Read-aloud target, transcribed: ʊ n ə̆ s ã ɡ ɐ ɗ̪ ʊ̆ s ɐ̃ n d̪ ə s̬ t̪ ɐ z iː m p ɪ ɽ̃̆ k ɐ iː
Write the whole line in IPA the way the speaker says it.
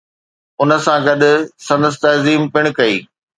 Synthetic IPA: ʊ n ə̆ s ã ɡ ɐ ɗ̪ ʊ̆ s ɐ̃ n d̪ ə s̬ t̪ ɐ z iː m p ɪ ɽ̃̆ k ɐ iː